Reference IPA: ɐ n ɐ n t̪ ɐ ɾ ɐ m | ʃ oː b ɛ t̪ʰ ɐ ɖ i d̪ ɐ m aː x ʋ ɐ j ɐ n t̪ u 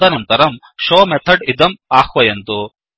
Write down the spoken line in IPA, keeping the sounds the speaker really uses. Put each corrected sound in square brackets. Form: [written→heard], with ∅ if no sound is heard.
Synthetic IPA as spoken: ɐ n ɐ n t̪ ɐ ɾ ɐ m | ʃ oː [b→m] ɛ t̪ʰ ɐ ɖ i d̪ ɐ m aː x ʋ ɐ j ɐ n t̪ u

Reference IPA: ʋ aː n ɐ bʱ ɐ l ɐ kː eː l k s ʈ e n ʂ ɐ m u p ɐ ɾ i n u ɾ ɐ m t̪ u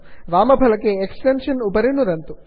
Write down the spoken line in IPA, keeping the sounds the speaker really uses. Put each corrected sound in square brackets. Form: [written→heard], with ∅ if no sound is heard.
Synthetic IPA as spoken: ʋ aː [n→m] ɐ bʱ ɐ l ɐ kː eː [l→∅] k s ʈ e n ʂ ɐ [m→n] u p ɐ ɾ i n u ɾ ɐ [m→n] t̪ u

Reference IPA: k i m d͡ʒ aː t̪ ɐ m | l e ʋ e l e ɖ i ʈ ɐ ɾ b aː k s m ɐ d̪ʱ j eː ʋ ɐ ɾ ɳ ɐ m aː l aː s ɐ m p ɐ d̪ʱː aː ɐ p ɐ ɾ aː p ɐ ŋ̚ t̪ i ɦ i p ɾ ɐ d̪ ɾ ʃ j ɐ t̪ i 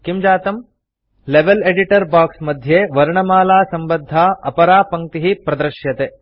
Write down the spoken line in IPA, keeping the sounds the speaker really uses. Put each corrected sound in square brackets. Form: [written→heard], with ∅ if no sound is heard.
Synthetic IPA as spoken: k i m d͡ʒ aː t̪ ɐ m | l e ʋ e l e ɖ i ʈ ɐ ɾ b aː k s m ɐ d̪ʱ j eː ʋ ɐ ɾ ɳ ɐ m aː l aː s ɐ m [p→b] ɐ d̪ʱː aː ɐ p ɐ ɾ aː p ɐ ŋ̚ t̪ i ɦ i p ɾ ɐ d̪ ɾ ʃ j ɐ t̪ [i→e]

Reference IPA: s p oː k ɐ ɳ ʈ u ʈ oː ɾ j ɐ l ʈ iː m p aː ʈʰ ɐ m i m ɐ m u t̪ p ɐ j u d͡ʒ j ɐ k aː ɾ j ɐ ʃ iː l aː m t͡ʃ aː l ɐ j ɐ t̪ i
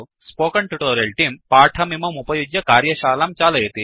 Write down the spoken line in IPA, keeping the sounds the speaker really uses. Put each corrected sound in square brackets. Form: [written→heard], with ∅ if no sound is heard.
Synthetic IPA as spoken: s p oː k ɐ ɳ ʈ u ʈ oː ɾ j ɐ l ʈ iː m p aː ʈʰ ɐ m i m ɐ m u [t̪→∅] p ɐ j u d͡ʒ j ɐ k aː ɾ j ɐ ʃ [iː→aː] l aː m t͡ʃ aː l ɐ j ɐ t̪ i

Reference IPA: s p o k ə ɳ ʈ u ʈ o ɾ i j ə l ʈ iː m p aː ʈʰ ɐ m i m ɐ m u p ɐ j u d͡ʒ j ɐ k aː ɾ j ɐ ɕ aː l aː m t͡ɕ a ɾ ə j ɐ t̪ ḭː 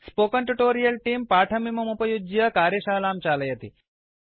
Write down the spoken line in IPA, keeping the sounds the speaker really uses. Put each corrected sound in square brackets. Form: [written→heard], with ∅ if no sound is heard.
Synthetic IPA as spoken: s p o k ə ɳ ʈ u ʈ o ɾ i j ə l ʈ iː m p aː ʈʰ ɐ m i m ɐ m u p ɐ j u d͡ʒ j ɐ k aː ɾ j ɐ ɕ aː l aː m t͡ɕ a [ɾ→l] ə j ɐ t̪ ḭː

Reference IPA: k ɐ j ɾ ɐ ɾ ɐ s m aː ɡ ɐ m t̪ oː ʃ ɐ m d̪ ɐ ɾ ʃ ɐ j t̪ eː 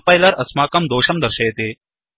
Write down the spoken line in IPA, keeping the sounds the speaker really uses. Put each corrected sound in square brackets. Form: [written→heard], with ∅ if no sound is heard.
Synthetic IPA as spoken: [k→p] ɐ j [ɾ→l] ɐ ɾ ɐ s m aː [ɡ→k] ɐ m [t̪→d̪] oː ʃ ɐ m d̪ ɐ ɾ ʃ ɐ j t̪ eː

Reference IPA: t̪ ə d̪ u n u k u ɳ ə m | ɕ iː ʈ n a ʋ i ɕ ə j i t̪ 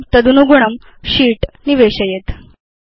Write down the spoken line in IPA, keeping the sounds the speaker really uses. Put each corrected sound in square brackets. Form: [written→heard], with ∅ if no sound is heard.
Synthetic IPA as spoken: t̪ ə d̪ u n u [k→ɡ] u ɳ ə m | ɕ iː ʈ n [a→i] ʋ [i→e] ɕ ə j [i→e] t̪

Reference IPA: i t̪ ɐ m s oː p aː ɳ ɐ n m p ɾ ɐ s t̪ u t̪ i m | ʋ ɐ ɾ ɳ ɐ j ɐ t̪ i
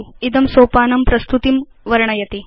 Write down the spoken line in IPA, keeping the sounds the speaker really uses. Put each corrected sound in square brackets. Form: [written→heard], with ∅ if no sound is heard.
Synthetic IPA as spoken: i [t̪→d̪] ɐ m s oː p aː [ɳ→n] ɐ [n→∅] m p ɾ ɐ s t̪ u t̪ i m | ʋ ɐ ɾ ɳ ɐ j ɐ t̪ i

